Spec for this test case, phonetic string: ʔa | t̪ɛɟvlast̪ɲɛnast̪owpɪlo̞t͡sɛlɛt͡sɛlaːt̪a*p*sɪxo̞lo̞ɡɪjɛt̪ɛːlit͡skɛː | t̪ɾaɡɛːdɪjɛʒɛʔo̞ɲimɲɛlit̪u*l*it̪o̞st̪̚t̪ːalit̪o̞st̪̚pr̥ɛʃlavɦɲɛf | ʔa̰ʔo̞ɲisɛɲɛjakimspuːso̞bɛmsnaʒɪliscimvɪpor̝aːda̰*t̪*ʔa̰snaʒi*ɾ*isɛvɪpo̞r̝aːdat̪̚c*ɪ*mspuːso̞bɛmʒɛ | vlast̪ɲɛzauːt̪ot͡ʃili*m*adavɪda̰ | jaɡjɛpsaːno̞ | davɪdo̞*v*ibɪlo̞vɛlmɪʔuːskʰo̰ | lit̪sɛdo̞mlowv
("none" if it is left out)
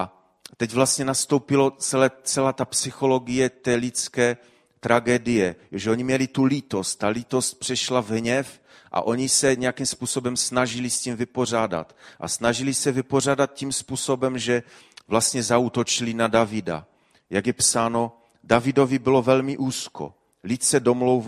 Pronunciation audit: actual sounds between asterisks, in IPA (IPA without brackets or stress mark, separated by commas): p, l, t̪, l, i, n, v